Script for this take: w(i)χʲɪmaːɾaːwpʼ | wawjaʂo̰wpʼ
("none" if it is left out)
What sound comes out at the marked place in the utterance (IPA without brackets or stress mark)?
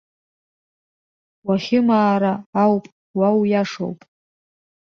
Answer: a